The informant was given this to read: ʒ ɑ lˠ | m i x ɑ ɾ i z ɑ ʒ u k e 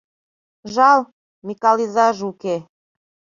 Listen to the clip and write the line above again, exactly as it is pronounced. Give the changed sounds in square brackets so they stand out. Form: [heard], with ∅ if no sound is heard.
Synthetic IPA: ʒ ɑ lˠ | m i [k] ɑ [l] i z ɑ ʒ u k e